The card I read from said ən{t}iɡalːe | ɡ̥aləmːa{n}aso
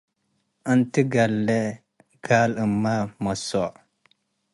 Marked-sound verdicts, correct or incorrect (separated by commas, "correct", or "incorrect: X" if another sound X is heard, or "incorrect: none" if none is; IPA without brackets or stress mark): correct, incorrect: m